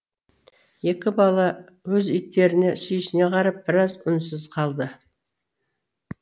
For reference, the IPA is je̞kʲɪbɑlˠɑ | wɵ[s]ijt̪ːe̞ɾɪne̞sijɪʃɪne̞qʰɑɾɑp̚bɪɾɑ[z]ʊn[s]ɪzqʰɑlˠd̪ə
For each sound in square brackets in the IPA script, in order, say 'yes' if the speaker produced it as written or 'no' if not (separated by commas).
no, yes, yes